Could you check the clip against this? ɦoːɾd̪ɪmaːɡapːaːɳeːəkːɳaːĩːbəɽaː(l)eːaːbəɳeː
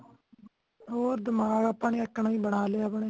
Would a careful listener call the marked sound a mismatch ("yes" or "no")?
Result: no